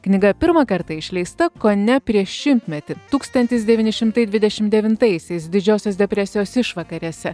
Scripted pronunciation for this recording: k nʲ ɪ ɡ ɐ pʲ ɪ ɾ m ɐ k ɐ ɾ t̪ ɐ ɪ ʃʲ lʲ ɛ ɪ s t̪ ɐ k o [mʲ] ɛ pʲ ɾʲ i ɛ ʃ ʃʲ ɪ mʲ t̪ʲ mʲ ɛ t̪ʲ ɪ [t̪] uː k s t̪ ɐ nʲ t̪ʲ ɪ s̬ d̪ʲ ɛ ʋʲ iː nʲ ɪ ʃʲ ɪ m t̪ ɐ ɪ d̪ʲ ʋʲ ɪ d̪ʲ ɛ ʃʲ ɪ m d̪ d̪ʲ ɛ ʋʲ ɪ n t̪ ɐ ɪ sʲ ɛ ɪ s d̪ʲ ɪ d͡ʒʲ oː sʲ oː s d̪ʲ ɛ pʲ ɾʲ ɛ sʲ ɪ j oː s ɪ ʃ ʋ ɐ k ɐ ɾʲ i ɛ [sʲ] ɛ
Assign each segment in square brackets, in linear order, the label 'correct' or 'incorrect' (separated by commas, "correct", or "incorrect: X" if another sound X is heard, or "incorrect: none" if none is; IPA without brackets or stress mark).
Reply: incorrect: nʲ, correct, correct